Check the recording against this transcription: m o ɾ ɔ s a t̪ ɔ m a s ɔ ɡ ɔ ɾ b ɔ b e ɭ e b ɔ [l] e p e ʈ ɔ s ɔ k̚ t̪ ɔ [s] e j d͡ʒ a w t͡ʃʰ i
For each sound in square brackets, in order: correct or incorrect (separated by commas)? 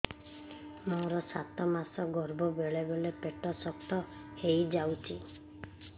correct, incorrect